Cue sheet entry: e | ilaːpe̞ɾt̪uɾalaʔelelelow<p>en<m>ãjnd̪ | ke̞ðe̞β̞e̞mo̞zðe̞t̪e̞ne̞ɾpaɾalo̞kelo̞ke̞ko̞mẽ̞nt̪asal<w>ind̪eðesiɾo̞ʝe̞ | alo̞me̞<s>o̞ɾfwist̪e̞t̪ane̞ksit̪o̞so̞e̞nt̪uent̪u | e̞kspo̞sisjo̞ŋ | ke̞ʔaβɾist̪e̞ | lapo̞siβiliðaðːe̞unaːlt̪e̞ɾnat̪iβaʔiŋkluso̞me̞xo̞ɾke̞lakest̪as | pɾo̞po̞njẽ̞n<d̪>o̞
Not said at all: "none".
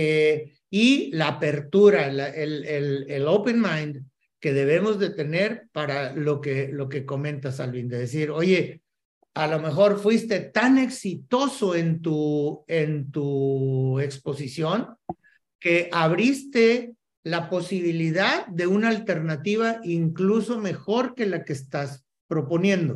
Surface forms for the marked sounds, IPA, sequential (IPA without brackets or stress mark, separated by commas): p, m, β, x, d̪